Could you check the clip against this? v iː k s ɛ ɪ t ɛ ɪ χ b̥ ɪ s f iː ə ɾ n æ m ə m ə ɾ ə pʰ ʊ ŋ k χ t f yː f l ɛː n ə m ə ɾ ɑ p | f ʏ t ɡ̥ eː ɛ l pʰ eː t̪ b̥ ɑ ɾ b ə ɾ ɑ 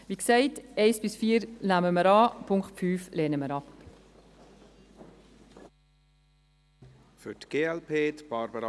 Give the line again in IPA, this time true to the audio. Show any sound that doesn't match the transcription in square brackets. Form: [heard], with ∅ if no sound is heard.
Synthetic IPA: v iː k s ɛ ɪ t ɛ ɪ [s] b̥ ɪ s f iː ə ɾ n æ m ə m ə ɾ [ɑ] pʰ ʊ ŋ k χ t f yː f l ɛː n ə m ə ɾ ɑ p | f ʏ t ɡ̥ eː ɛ l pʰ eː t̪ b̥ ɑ ɾ b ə ɾ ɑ